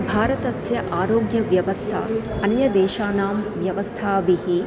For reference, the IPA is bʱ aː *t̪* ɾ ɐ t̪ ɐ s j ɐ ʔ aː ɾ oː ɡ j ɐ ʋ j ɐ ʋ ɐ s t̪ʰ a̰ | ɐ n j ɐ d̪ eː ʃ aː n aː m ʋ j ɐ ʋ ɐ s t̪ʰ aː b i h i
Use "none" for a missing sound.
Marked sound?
none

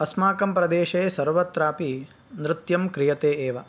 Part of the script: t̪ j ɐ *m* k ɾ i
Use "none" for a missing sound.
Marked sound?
m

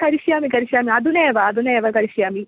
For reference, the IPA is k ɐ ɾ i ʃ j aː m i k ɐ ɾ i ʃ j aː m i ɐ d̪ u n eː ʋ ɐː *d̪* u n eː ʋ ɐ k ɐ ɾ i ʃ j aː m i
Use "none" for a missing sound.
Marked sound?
d̪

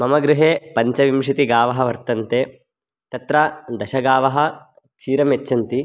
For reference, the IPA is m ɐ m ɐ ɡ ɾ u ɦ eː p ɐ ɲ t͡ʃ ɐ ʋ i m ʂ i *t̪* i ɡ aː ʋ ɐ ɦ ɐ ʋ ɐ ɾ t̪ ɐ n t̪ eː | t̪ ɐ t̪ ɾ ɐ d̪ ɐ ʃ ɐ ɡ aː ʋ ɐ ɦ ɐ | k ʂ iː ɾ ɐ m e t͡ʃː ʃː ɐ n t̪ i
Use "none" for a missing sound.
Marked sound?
t̪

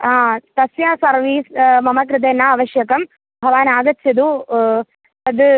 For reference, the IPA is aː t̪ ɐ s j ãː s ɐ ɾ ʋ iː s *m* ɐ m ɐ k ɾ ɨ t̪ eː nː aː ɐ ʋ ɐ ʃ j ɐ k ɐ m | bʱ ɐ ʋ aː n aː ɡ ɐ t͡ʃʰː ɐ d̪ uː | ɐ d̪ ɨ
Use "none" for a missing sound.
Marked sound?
m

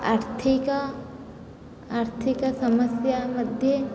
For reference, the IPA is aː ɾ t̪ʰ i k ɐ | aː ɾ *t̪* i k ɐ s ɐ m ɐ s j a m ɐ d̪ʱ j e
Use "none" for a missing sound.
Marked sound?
t̪ʰ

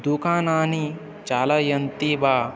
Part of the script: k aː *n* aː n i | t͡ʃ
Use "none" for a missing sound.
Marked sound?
n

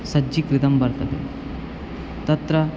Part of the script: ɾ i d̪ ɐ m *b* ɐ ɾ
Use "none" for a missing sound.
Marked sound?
b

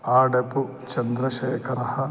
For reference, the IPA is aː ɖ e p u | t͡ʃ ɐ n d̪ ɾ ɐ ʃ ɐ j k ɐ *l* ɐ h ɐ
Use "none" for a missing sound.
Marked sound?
ɾ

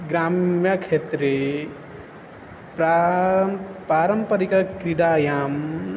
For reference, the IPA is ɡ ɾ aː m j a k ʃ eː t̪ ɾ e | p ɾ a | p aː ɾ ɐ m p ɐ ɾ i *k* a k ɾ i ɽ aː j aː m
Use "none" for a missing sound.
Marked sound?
k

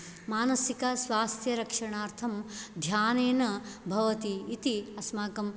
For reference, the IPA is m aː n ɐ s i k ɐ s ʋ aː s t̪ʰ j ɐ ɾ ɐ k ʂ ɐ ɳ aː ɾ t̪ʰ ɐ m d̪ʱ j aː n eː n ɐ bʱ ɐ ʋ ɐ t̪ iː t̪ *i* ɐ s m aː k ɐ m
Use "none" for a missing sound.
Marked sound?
i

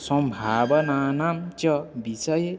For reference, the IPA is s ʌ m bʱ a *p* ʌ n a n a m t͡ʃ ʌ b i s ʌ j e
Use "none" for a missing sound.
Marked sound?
b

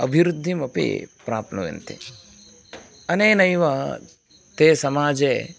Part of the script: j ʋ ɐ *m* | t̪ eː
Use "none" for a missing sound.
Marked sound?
none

